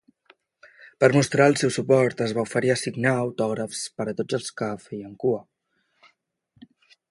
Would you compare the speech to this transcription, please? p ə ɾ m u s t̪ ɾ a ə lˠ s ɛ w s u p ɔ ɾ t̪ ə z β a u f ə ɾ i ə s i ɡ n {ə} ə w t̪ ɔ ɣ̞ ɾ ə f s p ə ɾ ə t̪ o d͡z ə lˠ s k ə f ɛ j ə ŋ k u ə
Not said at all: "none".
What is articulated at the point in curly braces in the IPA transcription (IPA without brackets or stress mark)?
a